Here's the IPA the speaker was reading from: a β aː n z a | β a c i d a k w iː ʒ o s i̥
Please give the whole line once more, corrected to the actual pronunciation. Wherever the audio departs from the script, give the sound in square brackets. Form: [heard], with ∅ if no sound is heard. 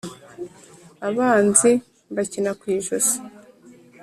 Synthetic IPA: a β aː n z [i] | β a c i [n] a k w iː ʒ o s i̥